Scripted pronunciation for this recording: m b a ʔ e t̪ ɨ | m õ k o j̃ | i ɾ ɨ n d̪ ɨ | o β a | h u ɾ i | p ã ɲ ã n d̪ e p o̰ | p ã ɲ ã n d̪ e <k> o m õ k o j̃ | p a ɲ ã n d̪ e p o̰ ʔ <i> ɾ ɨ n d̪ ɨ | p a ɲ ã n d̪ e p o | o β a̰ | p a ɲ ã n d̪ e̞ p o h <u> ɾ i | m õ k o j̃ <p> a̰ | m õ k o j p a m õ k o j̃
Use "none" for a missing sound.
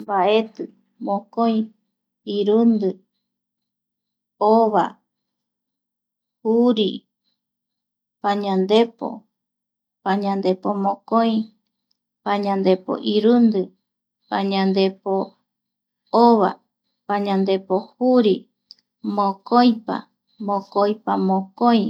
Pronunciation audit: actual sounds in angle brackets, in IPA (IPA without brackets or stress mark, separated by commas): p, i, u, p